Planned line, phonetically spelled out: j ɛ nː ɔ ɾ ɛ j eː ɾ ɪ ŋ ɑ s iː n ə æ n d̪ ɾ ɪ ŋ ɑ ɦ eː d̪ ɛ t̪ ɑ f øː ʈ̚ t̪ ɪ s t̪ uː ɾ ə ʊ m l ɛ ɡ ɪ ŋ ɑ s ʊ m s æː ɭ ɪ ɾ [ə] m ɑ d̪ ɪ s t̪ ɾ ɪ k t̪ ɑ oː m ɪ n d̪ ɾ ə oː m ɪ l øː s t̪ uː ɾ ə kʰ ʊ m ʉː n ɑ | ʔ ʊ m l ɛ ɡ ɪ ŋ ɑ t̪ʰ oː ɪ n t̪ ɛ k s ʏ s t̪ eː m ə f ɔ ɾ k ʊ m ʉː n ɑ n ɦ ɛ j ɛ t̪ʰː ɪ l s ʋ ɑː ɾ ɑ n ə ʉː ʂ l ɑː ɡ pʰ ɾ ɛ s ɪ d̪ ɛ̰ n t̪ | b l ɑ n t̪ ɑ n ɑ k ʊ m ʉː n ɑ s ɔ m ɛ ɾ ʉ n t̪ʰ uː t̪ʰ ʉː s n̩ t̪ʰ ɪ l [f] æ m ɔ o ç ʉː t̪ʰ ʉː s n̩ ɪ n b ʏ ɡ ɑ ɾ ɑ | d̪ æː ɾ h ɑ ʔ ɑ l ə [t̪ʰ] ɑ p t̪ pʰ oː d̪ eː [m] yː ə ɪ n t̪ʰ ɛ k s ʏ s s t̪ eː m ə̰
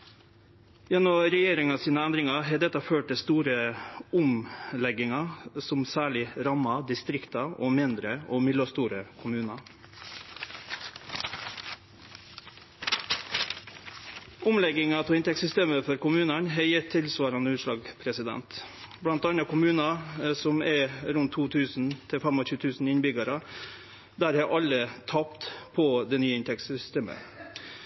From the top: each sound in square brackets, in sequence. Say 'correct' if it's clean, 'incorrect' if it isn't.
incorrect, correct, correct, incorrect

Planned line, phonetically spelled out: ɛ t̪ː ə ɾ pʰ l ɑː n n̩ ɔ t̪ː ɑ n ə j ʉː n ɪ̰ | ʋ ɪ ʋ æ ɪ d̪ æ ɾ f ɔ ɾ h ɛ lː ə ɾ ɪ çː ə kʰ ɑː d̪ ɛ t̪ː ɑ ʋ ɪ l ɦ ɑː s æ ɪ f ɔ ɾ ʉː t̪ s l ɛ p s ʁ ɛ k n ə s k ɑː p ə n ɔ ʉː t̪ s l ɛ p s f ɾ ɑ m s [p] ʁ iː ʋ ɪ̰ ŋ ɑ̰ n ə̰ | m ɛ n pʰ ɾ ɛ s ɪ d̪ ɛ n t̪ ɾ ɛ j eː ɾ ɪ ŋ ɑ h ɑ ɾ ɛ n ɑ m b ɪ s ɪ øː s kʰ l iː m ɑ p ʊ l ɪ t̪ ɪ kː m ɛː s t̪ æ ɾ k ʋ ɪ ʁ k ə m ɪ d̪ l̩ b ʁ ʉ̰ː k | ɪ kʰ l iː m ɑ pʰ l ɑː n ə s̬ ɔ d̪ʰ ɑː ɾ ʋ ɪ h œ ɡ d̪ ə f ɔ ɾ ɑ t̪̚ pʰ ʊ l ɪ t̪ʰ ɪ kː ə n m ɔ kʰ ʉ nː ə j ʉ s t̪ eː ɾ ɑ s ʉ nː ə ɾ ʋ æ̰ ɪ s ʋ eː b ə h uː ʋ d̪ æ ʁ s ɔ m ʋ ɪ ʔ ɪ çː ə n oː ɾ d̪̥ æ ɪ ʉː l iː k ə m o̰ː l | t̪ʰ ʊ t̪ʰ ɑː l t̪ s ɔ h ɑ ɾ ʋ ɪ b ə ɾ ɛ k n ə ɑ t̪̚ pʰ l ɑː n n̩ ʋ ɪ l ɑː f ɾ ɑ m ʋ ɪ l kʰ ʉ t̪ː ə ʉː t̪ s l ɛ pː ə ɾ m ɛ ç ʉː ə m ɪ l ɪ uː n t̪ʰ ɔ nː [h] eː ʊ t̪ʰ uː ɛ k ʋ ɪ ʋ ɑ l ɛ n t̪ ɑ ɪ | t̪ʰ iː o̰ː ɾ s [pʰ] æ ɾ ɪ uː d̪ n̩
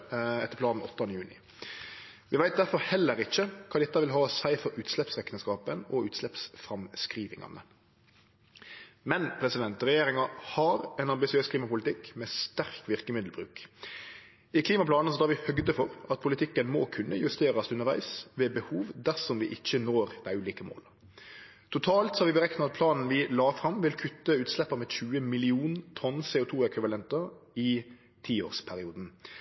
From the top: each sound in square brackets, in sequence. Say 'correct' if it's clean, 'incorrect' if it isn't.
incorrect, incorrect, correct

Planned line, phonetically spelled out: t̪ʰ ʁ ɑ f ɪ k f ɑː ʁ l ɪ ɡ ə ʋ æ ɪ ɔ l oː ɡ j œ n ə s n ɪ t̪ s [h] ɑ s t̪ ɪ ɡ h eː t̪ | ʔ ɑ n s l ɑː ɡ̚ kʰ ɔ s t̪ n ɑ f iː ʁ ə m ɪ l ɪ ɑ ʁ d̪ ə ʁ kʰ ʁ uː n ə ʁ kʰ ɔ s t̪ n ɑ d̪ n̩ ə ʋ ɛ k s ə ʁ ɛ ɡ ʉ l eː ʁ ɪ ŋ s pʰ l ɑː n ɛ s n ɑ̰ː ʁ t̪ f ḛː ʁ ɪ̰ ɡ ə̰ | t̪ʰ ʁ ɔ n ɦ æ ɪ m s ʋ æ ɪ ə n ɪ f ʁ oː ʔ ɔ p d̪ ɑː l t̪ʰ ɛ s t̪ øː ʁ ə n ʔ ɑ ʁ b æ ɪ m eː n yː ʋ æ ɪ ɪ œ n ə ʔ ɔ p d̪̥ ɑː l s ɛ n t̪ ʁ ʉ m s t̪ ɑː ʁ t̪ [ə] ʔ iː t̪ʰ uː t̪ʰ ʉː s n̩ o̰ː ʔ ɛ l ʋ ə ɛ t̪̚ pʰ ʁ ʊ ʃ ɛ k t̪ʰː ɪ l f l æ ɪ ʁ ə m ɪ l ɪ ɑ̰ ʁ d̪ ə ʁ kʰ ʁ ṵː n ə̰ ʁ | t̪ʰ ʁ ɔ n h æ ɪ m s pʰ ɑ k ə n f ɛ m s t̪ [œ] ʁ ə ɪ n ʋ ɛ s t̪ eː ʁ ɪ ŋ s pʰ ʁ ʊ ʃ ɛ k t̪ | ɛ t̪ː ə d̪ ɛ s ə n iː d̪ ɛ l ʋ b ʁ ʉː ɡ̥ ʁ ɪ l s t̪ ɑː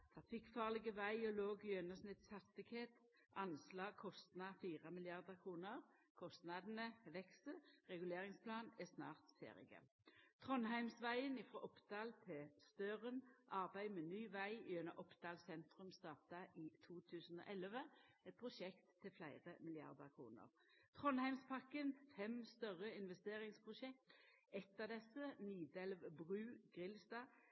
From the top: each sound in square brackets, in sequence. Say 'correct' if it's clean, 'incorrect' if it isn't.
correct, incorrect, correct

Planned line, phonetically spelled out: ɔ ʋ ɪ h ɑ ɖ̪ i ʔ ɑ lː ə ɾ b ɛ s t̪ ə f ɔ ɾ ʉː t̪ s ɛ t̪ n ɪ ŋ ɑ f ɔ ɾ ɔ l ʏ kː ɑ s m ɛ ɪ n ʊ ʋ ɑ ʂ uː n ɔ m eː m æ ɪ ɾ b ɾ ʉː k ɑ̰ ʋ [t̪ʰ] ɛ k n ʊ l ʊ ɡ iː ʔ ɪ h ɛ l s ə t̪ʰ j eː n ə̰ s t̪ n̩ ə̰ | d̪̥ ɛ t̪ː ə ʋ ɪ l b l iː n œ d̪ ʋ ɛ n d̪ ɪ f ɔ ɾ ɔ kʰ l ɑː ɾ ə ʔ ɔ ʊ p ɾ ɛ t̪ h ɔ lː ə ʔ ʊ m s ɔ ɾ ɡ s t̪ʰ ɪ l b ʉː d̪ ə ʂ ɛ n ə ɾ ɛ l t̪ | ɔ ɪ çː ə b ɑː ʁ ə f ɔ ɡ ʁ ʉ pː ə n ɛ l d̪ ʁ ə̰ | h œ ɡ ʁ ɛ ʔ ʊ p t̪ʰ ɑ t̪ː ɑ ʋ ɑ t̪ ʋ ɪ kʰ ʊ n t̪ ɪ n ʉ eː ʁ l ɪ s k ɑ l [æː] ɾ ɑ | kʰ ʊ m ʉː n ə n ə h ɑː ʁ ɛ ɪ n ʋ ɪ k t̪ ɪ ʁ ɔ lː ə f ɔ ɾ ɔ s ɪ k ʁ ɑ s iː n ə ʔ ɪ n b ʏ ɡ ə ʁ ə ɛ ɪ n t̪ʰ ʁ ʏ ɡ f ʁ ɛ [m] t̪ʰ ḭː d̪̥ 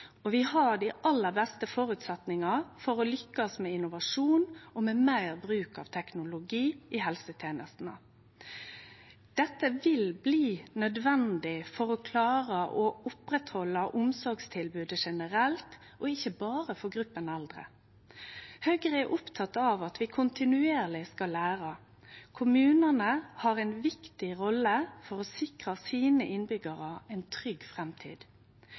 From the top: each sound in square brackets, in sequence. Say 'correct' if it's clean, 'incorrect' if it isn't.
correct, correct, correct

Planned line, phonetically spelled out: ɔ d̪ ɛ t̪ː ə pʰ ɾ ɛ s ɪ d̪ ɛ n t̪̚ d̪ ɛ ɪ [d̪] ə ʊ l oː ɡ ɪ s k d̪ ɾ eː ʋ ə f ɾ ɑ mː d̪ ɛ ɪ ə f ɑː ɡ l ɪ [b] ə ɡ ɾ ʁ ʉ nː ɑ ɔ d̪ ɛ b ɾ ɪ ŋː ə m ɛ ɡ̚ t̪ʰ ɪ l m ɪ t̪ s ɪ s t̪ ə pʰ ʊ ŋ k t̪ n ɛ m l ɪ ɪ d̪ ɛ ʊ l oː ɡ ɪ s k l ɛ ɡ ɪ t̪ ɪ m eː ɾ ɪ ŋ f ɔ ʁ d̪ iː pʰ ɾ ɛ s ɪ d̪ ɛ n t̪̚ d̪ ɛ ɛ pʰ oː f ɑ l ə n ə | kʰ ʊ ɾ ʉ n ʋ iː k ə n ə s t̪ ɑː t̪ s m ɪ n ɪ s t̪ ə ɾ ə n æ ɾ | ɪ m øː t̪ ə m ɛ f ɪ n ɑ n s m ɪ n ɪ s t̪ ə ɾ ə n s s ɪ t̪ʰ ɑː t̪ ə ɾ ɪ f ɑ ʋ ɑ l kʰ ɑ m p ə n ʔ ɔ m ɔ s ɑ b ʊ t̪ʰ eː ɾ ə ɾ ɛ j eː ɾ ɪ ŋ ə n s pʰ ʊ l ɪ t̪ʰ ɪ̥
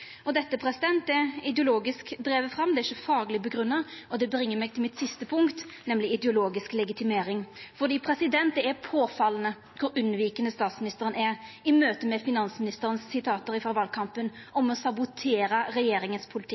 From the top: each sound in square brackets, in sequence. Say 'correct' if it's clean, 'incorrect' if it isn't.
correct, correct

